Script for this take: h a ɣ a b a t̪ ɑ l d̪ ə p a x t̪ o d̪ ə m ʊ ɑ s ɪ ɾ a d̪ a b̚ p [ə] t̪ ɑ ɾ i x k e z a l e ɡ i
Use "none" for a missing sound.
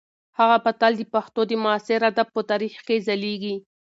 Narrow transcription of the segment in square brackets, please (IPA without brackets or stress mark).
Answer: ə